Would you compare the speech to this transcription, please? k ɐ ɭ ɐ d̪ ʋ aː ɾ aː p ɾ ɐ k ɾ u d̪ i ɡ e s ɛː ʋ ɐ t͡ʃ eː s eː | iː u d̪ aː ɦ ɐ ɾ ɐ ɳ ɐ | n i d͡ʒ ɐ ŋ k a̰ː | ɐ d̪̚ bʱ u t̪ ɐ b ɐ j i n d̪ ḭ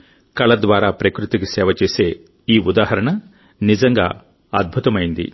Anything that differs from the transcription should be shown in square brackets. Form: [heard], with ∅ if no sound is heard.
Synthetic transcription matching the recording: k ɐ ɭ ɐ d̪ ʋ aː ɾ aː p ɾ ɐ k ɾ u [t̪] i ɡ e s ɛː ʋ ɐ t͡ʃ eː s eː | iː u d̪ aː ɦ ɐ ɾ ɐ ɳ ɐ | n i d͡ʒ ɐ ŋ [ɡ] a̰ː | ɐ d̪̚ bʱ u t̪ ɐ [m] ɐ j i n d̪ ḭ